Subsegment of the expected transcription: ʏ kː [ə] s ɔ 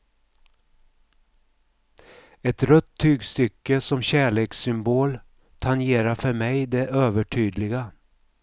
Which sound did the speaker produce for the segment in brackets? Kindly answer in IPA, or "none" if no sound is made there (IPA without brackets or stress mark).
ə